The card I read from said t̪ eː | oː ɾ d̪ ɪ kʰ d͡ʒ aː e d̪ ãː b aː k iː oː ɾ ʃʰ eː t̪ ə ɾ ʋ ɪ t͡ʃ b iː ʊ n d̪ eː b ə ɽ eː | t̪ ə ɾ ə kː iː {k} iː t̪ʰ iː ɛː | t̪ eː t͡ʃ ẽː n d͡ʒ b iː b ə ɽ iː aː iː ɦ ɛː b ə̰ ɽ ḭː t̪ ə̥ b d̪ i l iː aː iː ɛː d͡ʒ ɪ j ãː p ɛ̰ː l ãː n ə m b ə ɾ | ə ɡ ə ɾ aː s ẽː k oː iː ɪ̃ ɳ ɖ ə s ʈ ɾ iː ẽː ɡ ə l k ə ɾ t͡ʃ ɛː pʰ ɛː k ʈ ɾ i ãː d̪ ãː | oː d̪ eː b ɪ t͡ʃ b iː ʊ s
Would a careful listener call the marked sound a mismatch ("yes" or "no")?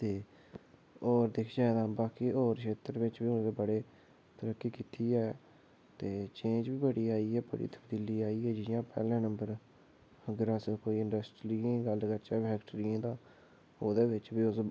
no